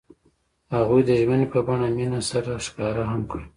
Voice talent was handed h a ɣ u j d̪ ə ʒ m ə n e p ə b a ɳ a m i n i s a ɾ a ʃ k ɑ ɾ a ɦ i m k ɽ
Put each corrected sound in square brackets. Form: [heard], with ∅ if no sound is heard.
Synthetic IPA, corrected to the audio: h a ɣ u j d̪ ə ʒ m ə n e p ə b a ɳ a m i n [a] s a ɾ a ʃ k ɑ ɾ a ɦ [a] m k ɽ